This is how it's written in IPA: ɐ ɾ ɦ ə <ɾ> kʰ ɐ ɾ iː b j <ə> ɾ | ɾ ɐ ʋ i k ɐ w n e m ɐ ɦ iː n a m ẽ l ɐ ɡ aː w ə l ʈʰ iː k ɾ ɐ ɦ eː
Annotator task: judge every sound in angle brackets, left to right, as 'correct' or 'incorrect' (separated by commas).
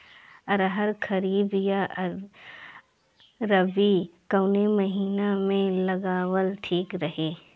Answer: correct, incorrect